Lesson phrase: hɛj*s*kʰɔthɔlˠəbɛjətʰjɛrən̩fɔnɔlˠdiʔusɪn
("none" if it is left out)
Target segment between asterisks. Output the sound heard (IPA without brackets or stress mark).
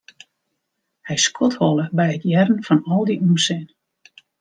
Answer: s